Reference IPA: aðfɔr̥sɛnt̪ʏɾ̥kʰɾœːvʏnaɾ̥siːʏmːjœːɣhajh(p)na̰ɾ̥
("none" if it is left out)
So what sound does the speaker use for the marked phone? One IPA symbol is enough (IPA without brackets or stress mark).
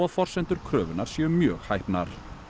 p